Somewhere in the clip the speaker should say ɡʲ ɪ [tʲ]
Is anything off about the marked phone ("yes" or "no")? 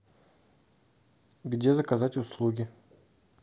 yes